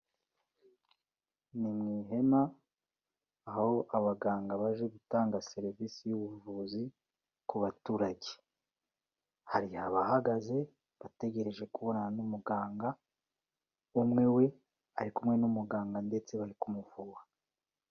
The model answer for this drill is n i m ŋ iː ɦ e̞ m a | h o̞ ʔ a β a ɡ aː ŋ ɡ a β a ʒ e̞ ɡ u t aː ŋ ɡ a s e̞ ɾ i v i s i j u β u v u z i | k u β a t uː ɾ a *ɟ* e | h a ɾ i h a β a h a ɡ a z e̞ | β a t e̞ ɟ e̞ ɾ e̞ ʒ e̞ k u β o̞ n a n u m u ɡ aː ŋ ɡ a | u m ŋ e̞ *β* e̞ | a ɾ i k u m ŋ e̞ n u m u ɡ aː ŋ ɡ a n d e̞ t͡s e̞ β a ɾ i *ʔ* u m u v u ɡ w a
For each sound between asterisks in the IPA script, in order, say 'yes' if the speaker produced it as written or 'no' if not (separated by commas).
yes, no, no